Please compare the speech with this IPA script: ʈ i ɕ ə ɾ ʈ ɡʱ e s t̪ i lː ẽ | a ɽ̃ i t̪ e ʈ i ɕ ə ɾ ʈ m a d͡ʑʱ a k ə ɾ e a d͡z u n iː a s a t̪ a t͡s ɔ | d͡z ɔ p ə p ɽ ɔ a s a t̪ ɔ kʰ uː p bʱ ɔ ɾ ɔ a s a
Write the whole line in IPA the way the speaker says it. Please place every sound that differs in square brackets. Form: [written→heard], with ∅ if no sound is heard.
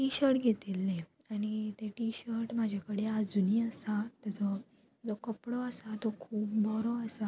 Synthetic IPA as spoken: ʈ i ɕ ə ɾ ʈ ɡʱ e [s→∅] t̪ i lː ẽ | a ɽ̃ i t̪ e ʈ i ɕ ə ɾ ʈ m a d͡ʑʱ a k ə [ɾ→ɽ] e a d͡z u n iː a s a t̪ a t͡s ɔ | d͡z ɔ [p→k] ə p ɽ ɔ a s a t̪ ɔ kʰ uː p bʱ ɔ ɾ ɔ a s a